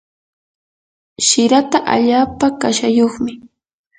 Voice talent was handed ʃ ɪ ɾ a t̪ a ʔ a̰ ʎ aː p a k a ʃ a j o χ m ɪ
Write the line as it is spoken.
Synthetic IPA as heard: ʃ ɪ ɾ a t̪ a ʔ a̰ ʎ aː p a k a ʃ a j o χ m ɪ